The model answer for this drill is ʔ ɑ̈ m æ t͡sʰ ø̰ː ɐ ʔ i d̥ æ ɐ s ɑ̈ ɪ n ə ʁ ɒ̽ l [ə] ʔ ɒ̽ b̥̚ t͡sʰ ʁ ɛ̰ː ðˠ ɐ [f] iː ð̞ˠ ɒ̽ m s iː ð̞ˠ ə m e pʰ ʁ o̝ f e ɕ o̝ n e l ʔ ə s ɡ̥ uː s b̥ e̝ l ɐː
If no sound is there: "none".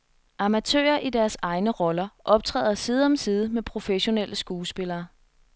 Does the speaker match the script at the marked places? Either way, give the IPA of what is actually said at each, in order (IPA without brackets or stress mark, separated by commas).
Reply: ɐ, s